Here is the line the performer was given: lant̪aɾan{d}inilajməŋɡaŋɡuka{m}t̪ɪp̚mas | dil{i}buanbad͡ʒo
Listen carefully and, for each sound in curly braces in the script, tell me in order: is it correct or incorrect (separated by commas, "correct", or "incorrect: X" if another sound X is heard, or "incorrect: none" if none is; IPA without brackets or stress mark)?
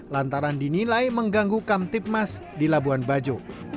correct, correct, incorrect: a